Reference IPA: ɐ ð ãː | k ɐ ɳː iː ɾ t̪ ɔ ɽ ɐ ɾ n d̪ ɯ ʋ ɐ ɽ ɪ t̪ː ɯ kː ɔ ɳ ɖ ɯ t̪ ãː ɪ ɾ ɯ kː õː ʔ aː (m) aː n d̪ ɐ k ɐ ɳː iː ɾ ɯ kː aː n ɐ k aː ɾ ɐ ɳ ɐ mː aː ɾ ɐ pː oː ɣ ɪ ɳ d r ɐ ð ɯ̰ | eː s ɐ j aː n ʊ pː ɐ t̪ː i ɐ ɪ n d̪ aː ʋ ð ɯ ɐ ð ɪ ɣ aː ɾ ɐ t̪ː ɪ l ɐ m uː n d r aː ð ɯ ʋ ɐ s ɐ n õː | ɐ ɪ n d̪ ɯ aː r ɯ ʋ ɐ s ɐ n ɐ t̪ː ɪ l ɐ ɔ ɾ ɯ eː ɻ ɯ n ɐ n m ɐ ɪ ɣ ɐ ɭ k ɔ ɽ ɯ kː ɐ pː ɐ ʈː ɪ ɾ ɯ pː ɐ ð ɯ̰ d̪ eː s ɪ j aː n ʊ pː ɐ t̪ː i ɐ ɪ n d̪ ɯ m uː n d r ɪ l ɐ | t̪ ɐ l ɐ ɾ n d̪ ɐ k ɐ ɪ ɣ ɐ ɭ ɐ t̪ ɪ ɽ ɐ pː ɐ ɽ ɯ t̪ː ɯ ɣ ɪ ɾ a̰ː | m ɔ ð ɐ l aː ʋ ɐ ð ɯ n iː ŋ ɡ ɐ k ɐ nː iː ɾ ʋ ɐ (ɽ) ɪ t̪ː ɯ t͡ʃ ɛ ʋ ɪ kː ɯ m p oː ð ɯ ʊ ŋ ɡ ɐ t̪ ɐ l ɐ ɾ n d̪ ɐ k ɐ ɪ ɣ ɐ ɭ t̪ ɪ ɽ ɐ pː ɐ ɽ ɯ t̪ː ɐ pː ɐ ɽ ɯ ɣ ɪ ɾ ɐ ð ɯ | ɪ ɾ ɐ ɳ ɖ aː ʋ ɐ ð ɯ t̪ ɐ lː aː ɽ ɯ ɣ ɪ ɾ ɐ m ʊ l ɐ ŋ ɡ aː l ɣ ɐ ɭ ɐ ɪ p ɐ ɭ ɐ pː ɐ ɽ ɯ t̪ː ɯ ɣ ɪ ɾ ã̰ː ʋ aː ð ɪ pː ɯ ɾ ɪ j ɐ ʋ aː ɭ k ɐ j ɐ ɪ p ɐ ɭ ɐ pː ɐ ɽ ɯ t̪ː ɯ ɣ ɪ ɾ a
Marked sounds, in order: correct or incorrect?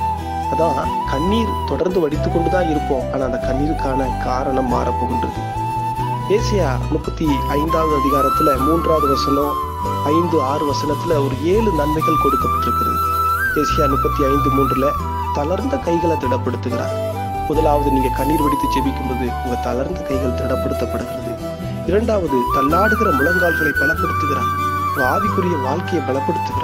incorrect: n, correct

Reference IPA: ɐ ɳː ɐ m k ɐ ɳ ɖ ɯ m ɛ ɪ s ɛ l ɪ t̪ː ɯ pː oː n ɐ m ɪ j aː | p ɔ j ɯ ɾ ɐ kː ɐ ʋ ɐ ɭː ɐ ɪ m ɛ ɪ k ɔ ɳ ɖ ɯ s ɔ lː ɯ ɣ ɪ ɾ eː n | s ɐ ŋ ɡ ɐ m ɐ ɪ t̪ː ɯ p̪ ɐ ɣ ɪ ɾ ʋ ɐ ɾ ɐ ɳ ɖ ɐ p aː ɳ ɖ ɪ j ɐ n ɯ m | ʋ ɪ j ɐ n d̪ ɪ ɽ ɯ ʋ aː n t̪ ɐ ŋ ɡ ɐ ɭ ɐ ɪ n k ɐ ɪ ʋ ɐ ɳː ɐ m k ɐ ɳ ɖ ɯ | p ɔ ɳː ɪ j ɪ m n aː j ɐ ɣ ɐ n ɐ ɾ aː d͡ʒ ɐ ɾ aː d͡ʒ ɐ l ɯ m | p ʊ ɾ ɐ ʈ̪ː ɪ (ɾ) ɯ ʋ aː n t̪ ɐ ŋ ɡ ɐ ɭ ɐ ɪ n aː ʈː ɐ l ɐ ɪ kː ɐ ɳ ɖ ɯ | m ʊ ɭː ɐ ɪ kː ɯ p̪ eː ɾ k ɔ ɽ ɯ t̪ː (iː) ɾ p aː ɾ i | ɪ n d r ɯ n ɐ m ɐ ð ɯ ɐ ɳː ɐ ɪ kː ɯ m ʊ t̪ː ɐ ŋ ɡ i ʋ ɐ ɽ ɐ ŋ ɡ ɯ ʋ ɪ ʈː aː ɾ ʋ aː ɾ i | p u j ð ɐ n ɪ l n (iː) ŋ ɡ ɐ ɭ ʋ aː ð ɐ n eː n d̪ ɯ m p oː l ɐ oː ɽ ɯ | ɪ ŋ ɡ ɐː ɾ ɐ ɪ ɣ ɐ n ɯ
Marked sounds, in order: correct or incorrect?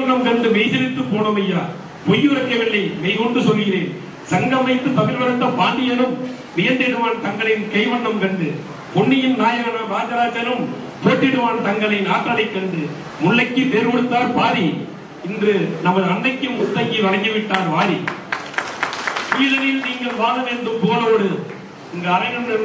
incorrect: ɽ, incorrect: aː, correct

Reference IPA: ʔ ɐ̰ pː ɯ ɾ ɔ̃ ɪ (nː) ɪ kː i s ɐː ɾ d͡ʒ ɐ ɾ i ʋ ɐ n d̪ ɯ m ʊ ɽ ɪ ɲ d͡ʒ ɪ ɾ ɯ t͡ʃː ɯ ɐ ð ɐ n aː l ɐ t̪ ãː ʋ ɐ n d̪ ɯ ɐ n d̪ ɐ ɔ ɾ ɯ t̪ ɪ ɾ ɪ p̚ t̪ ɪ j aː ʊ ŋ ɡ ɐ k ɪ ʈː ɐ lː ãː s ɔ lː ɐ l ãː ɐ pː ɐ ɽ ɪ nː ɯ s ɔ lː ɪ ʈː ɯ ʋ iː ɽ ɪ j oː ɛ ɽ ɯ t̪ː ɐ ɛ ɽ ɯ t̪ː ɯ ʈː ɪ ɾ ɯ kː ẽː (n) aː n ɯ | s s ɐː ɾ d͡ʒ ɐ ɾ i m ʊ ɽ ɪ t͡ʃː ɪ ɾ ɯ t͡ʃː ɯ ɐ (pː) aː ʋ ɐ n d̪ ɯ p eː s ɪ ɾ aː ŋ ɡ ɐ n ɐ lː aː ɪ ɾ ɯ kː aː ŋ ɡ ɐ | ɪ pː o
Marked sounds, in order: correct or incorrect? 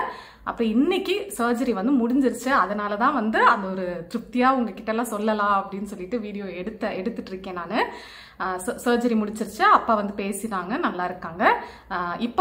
correct, correct, correct

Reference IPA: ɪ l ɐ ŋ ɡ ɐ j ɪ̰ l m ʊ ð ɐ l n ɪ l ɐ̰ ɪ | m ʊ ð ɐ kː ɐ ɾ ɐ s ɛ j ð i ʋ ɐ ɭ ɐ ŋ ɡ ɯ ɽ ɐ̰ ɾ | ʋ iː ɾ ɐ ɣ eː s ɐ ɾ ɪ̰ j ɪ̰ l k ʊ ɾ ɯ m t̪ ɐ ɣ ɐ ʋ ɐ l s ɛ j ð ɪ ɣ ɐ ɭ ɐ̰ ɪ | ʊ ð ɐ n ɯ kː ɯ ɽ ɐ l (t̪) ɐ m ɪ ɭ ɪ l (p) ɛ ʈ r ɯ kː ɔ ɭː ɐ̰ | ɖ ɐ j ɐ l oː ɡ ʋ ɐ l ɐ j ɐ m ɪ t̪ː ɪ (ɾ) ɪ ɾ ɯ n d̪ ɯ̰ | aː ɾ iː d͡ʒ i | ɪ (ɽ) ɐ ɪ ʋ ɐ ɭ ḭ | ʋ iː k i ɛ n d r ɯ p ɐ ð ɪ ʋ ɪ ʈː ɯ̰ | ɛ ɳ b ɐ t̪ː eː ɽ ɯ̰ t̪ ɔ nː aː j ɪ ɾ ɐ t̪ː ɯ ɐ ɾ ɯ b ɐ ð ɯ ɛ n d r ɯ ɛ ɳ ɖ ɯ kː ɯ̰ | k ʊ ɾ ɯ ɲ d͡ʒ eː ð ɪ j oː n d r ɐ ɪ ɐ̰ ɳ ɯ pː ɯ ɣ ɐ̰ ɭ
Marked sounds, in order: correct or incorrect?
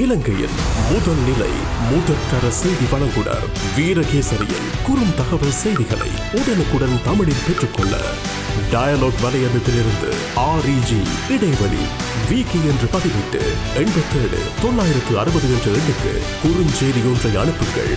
correct, correct, incorrect: l, correct

